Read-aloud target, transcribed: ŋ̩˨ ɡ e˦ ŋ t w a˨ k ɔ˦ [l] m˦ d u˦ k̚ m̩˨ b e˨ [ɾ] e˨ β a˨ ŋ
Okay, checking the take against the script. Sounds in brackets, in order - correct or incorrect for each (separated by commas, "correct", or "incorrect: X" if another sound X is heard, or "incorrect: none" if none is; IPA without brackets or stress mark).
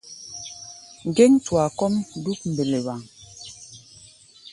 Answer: incorrect: none, incorrect: l